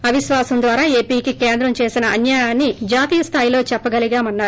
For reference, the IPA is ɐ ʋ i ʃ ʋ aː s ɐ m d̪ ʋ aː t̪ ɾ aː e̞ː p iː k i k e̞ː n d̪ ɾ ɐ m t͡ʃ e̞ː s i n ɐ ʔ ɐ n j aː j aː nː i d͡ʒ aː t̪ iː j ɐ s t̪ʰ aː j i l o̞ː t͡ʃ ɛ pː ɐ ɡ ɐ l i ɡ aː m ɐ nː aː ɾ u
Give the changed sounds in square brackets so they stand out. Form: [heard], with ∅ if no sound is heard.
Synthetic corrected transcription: ɐ ʋ i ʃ ʋ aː s ɐ m d̪ ʋ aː [∅] ɾ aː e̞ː p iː k i k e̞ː n d̪ ɾ ɐ m t͡ʃ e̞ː s i n ɐ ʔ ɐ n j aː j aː nː i d͡ʒ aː t̪ iː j ɐ s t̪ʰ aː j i l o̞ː t͡ʃ ɛ pː ɐ ɡ ɐ l i ɡ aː m ɐ nː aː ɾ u